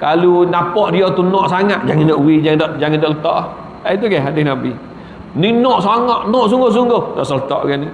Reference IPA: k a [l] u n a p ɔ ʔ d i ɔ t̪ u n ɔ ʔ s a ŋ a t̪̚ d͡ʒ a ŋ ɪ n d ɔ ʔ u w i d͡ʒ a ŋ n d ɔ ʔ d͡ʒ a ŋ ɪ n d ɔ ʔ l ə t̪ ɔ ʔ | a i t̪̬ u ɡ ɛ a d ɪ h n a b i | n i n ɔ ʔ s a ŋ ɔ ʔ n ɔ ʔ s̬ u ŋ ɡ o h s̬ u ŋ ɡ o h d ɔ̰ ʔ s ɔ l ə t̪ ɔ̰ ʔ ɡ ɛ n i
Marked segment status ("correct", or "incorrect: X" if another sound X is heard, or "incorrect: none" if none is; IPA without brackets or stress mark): correct